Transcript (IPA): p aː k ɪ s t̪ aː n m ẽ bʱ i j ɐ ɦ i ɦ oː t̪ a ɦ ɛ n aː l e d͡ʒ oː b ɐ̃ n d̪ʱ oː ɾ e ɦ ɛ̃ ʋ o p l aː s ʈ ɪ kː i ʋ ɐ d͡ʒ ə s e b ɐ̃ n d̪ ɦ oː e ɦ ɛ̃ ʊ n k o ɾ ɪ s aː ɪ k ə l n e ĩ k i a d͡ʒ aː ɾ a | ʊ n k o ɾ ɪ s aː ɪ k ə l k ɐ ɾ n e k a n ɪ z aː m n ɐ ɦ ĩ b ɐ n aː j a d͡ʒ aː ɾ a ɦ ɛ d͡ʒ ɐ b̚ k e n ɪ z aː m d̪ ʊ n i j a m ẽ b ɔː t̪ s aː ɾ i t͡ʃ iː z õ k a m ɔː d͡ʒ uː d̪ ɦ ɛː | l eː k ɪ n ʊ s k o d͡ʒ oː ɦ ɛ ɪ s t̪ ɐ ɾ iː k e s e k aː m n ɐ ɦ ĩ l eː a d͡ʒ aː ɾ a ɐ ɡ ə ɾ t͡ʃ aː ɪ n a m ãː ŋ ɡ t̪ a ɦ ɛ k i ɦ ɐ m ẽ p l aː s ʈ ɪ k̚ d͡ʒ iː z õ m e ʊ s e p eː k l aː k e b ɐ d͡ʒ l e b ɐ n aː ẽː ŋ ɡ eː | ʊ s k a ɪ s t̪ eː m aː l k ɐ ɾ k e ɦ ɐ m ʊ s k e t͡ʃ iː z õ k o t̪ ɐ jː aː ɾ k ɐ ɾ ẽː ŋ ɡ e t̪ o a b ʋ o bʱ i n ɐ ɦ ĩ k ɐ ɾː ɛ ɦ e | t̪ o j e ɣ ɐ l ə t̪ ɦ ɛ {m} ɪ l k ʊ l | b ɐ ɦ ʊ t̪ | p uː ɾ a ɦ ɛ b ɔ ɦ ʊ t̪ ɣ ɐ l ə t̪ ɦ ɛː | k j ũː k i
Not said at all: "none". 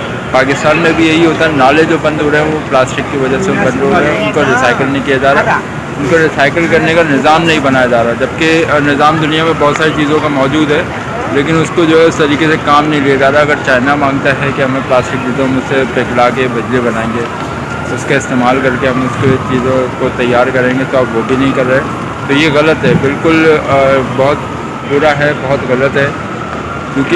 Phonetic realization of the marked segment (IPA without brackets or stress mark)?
b